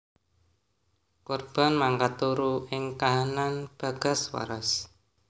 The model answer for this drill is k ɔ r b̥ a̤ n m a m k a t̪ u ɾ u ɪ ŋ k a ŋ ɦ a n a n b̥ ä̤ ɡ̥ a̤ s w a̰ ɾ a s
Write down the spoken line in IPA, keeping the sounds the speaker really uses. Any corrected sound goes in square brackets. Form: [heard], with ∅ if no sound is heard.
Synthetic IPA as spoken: k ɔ r b̥ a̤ n m a [ŋ] k a t̪ u ɾ u ɪ ŋ k a [∅] ɦ a n a n b̥ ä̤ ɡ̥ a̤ s w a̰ ɾ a s